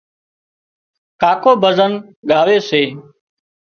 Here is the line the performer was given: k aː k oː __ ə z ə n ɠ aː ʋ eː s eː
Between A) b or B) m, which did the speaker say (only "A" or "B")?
A